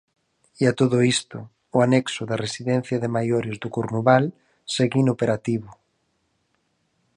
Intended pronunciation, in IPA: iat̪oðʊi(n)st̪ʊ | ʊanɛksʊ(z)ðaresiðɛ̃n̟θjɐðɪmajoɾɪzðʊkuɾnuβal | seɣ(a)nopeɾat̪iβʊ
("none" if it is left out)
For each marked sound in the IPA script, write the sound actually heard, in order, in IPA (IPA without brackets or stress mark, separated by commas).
none, none, i